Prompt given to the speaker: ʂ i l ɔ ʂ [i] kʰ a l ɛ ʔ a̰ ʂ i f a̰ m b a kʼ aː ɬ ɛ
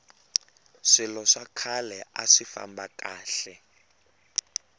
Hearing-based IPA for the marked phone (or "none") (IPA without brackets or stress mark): a